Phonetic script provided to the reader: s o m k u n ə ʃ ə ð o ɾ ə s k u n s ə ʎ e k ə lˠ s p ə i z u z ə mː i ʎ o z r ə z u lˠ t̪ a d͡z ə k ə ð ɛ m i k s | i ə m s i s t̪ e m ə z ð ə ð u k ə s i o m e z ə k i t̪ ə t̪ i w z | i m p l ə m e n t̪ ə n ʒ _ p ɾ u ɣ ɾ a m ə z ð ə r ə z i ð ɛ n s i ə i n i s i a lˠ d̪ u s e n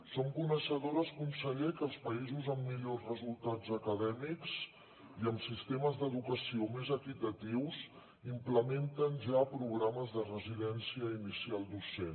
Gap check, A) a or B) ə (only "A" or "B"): A